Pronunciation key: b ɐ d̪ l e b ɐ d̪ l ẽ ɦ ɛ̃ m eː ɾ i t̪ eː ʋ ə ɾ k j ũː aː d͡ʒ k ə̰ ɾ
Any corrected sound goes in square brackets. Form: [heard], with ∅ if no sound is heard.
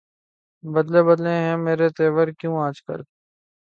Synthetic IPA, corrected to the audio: b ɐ d̪ l e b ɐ d̪ l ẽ ɦ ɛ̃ m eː ɾ [e] t̪ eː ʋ ə ɾ k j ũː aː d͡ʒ k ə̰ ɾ

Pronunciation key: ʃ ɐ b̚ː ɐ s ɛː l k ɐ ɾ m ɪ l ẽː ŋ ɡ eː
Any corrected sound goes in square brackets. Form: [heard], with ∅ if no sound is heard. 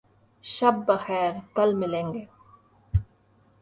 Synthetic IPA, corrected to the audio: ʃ ɐ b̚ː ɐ [x] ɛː [ɾ] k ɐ [l] m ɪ l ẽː ŋ ɡ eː

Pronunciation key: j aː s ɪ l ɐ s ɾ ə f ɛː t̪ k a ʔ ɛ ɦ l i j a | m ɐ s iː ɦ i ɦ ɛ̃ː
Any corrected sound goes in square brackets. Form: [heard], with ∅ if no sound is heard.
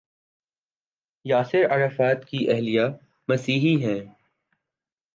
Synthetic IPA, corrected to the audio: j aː s ɪ [ɾ] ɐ [∅] ɾ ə f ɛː t̪ k [i] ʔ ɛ ɦ l i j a | m ɐ s iː ɦ i ɦ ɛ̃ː

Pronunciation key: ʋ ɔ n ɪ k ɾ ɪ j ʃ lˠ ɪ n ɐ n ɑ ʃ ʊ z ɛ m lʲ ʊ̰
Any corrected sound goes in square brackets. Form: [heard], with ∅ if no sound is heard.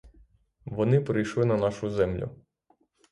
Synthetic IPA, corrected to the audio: ʋ ɔ n ɪ [p] ɾ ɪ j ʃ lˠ ɪ n ɐ n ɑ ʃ ʊ z ɛ m lʲ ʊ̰

